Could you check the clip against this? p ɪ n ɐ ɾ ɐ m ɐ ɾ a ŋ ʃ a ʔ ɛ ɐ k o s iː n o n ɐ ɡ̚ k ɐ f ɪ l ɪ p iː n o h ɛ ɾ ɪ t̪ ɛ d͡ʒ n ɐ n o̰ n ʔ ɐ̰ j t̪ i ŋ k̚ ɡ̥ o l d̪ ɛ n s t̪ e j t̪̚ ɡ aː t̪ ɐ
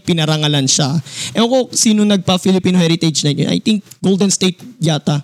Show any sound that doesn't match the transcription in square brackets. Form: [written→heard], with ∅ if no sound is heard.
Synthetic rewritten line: p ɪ n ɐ ɾ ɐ [m→ŋ] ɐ [ɾ→l] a [ŋ→n] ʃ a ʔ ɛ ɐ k o s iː n o n ɐ ɡ̚ [k→p] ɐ f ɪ l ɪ p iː n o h ɛ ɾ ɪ t̪ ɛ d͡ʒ n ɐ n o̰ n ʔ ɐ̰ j t̪ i ŋ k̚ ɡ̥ o l d̪ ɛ n s t̪ e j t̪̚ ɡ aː t̪ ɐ